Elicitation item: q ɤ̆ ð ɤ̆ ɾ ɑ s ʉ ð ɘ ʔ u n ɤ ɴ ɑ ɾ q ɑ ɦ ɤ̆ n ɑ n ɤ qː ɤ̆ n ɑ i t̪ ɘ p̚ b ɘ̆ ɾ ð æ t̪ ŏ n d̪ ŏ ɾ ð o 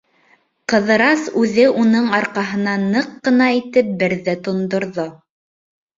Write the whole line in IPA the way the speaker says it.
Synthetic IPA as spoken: q ɤ̆ ð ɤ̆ ɾ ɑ s ʉ ð ɘ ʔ u n ɤ ɴ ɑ ɾ q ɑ ɦ ɤ̆ n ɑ n ɤ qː ɤ̆ n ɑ i t̪ ɘ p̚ b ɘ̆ ɾ ð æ t̪ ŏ n d̪ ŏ ɾ ð o